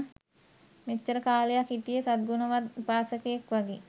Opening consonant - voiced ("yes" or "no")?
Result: yes